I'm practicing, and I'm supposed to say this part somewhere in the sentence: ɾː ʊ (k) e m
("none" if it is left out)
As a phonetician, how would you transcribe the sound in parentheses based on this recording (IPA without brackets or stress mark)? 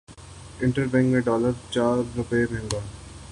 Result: p